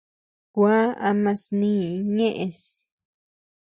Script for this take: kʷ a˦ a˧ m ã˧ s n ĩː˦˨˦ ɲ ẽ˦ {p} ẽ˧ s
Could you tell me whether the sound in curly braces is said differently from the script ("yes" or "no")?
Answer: yes